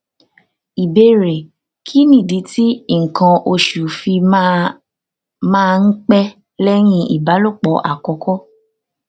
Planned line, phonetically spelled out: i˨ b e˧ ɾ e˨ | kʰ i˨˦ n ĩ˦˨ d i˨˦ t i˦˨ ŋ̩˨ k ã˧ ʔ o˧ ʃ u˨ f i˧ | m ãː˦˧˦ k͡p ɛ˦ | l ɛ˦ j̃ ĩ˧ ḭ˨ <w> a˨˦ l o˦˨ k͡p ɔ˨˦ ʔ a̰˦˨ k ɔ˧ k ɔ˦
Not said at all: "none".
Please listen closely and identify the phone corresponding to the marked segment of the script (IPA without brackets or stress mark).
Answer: b